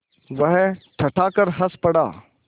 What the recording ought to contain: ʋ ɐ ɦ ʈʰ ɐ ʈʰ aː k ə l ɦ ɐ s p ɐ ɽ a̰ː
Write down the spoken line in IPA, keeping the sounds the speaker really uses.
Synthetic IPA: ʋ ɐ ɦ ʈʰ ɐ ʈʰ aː k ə ɾ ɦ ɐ s p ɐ ɽ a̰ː